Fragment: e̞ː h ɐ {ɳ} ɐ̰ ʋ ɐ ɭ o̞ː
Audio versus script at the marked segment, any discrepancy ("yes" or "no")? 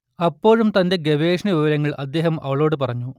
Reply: yes